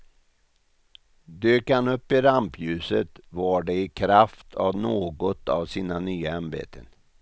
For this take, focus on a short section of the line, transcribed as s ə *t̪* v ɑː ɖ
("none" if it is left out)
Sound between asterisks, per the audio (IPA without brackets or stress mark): t̪